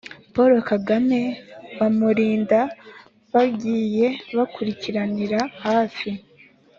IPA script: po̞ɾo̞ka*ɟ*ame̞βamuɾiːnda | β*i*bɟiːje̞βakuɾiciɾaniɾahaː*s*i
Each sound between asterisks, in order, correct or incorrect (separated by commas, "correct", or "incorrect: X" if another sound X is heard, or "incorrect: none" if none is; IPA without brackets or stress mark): incorrect: ɡ, incorrect: a, incorrect: f